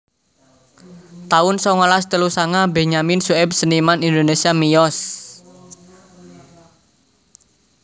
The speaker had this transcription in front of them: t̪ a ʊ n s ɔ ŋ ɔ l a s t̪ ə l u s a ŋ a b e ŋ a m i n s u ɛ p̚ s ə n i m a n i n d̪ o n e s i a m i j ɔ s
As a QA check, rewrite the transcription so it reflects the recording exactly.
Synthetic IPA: t̪ a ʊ n s ɔ ŋ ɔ l a s t̪ ə l u s a ŋ a b e ɲ a m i n s u ɛ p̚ s ə n i m a n i n d̪ o n e s i a m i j ɔ s